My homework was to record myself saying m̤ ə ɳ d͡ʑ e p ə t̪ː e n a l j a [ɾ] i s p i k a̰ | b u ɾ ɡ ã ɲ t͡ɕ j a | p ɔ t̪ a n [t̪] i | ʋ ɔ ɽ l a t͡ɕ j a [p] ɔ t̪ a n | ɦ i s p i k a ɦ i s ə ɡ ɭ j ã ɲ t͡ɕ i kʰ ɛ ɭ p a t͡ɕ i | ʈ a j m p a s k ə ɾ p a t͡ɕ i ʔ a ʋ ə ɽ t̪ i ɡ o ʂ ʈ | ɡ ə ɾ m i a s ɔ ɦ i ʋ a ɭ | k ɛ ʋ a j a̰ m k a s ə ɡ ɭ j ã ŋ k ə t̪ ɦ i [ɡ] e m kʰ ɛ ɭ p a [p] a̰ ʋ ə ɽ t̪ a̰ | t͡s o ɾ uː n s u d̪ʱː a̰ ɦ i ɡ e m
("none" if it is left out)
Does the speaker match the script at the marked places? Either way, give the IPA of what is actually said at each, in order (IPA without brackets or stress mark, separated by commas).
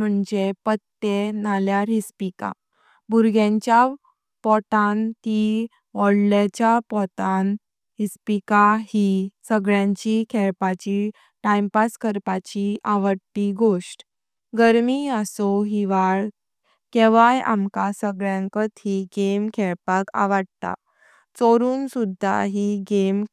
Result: ɾ, t̪, p, ɡ, k